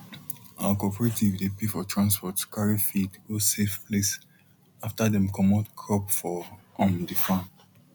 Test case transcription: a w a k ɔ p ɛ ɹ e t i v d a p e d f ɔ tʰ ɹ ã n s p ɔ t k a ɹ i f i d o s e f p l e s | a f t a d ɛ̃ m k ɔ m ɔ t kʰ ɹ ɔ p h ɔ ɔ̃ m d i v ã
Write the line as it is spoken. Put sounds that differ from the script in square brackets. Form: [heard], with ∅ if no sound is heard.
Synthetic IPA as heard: a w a k ɔ p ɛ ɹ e t i v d [e] p e [∅] f ɔ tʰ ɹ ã n s p ɔ t k a ɹ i f i d o s e f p l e s | a f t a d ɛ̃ m k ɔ m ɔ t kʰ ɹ ɔ p [f] ɔ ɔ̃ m d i [f] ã